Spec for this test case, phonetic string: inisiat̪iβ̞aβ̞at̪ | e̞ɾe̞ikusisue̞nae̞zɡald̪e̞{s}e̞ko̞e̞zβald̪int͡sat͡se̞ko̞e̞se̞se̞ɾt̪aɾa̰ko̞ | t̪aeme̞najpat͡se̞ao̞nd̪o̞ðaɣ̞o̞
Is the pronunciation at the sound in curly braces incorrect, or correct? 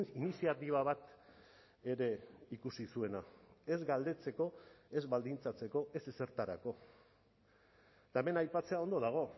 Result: incorrect